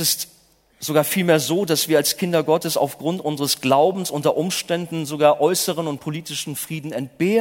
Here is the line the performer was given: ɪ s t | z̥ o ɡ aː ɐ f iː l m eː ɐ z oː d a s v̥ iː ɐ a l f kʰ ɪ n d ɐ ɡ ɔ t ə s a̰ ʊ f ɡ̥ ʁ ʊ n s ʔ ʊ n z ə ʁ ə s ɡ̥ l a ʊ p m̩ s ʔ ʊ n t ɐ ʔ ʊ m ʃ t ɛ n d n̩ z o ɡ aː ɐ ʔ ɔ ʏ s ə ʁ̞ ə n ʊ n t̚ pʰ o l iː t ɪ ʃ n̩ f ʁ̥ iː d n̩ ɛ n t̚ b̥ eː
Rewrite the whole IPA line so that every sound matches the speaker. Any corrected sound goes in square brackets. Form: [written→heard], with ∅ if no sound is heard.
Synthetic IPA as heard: ɪ s t | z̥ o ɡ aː ɐ f iː l m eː ɐ z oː d a s v̥ iː ɐ a l [f→s] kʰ ɪ n d ɐ ɡ ɔ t ə s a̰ ʊ f ɡ̥ ʁ ʊ n [s→t] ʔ ʊ n z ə ʁ ə s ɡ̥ l a ʊ [p→b] m̩ s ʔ ʊ n t ɐ ʔ ʊ m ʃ t ɛ n d n̩ z o ɡ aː ɐ ʔ ɔ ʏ s ə ʁ̞ ə n ʊ n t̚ pʰ o l iː t ɪ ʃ n̩ f ʁ̥ iː d n̩ ɛ n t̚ b̥ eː